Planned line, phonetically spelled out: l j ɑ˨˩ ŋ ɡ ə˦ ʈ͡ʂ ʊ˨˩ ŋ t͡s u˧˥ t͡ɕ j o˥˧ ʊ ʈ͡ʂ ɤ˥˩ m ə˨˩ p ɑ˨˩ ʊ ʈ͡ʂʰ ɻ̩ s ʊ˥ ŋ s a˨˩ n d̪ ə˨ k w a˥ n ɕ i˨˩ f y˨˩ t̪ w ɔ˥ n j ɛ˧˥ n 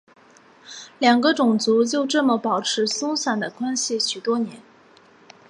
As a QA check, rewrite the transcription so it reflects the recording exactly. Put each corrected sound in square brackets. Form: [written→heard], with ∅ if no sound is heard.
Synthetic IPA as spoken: l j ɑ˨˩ ŋ ɡ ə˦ ʈ͡ʂ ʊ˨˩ ŋ t͡s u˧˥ t͡ɕ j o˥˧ ʊ ʈ͡ʂ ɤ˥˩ m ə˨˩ p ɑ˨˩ ʊ ʈ͡ʂʰ ɻ̩ s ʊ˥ ŋ s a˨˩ n d̪ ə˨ k w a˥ n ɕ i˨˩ [f→ɕ] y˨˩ t̪ w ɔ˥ n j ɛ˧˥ n

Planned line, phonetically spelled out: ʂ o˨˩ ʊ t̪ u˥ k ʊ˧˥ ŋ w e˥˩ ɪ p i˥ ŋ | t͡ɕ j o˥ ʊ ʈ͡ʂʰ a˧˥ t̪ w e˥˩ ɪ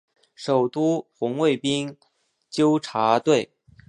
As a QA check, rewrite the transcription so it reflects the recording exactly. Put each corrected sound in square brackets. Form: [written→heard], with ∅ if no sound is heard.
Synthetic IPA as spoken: ʂ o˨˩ ʊ t̪ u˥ [k→x] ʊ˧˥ ŋ w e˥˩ ɪ p i˥ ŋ | t͡ɕ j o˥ ʊ ʈ͡ʂʰ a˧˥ t̪ w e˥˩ ɪ

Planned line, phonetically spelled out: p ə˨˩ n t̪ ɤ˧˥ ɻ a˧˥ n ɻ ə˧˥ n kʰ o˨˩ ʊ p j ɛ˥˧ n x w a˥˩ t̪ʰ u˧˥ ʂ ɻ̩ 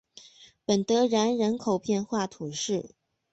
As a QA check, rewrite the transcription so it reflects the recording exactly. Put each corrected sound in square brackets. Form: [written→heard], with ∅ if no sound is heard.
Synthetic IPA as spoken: p ə˨˩ n t̪ ɤ˧˥ ɻ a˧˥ n ɻ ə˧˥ n kʰ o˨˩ ʊ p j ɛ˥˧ n x w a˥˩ t̪ʰ [u˧˥→u˨˩] ʂ ɻ̩

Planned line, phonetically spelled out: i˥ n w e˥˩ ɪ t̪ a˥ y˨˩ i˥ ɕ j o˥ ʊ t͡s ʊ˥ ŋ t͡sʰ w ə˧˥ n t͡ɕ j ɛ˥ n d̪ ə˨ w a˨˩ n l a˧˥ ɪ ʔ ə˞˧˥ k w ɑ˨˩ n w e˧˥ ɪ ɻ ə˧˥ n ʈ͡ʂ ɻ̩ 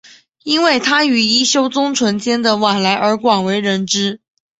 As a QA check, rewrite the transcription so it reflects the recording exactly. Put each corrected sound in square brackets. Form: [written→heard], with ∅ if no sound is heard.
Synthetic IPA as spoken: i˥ n w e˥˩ ɪ [t̪→t̪ʰ] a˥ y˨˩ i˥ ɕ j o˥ ʊ t͡s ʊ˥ ŋ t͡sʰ w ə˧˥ n t͡ɕ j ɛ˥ n d̪ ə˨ w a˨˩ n l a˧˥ ɪ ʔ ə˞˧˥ k w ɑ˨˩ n w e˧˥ ɪ ɻ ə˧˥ n ʈ͡ʂ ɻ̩

